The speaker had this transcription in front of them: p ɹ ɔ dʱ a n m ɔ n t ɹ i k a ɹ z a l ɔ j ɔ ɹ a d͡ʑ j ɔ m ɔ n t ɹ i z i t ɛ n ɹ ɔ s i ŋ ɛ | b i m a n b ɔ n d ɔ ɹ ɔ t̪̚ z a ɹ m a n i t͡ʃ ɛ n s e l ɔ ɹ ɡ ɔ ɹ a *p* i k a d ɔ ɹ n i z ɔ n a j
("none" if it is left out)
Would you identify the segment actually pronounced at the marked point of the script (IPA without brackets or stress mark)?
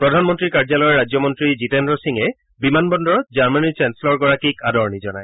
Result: k